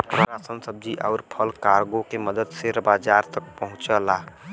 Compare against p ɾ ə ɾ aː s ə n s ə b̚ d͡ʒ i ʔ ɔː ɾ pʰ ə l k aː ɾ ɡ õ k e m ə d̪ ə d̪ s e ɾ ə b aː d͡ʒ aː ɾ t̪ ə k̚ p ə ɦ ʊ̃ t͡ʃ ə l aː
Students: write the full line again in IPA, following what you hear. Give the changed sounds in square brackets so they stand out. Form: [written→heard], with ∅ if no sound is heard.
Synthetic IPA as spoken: p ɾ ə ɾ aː s ə n s ə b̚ d͡ʒ i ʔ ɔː ɾ pʰ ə l k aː ɾ ɡ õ k e m ə d̪ ə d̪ s e ɾ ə b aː d͡ʒ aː ɾ t̪ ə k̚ p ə ɦ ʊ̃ t͡ʃ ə l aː